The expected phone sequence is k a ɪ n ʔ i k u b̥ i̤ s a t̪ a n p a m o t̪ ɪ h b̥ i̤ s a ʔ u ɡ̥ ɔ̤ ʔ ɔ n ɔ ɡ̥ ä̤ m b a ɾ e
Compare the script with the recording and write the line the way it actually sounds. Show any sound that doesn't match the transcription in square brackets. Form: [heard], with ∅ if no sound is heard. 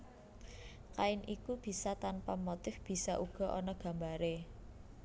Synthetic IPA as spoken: k a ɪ n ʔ i k u b̥ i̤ s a t̪ a n p a m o t̪ ɪ [f] b̥ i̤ s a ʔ u ɡ̥ ɔ̤ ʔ ɔ n ɔ ɡ̥ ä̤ m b a ɾ e